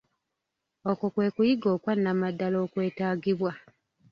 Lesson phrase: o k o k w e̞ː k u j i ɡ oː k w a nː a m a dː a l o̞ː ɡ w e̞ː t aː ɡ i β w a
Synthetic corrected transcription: o k o k w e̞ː k u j i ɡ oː k w a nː a m a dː a l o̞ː k w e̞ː t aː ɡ i β w a

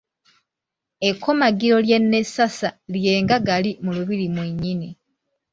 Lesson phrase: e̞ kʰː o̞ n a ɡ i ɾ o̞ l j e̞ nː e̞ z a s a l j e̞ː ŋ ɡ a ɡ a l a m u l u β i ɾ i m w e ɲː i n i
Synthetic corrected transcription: e̞ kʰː o̞ m a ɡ i ɾ o̞ l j e̞ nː e̞ s a s a l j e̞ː ŋ ɡ a ɡ a l i m u l u β i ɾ i m w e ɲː i n i

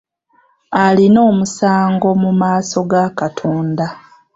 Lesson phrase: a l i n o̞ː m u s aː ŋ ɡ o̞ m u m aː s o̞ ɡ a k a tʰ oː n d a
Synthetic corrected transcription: a l i n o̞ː m u s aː ŋ ɡ o̞ m u m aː s o̞ ɡ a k a tʰ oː n d a

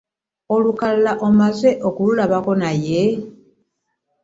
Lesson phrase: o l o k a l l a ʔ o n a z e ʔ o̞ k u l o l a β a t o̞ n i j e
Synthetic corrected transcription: o l u k a l l a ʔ o m a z e ʔ o̞ k u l u l a β a k o̞ n a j e

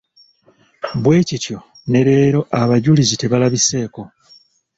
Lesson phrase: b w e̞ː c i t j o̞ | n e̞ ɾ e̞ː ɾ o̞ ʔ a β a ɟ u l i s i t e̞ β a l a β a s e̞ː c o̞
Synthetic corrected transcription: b w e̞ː c i t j o̞ | n e̞ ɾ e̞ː ɾ o̞ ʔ a β a ɟ u l i z i t e̞ β a l a β i s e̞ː k o̞

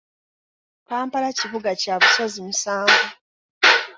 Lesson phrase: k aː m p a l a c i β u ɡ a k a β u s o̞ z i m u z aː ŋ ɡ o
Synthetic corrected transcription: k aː m p a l a c i β u ɡ a c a β u s o̞ z i m u s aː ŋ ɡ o

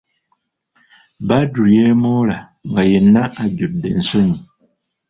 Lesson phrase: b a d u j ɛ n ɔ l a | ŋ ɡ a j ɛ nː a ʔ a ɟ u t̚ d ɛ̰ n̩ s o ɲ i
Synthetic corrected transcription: b a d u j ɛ m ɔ l a | ŋ ɡ a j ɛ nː a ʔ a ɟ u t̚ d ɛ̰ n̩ s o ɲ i

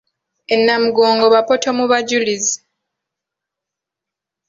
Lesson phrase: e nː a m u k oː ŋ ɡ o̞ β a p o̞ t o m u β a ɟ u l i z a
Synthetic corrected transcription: e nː a m u ɡ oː ŋ ɡ o̞ β a p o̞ t o m u β a ɟ u l i z i

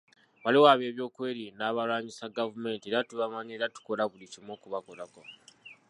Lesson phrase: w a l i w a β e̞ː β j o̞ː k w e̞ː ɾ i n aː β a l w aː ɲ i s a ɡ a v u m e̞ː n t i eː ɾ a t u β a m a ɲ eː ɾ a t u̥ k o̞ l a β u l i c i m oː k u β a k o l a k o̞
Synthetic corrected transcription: w a l i w a β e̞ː β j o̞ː k w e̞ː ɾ i n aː β a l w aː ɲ i s a ɡ a v u m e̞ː n t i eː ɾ a t u β a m a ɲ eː ɾ a t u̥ k o̞ l a β u l i c i m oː k u β a k o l a k o̞

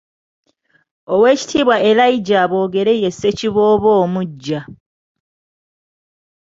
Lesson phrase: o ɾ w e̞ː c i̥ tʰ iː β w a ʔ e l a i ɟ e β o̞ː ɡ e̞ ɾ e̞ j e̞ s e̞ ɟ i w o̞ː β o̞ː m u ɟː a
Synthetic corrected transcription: o w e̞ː c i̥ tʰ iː β w a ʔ e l a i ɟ a β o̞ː ɡ e̞ ɾ e̞ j e̞ s e̞ c i β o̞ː β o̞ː m u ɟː a

